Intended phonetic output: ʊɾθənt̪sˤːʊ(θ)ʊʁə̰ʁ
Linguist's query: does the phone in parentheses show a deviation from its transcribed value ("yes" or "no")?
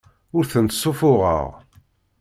yes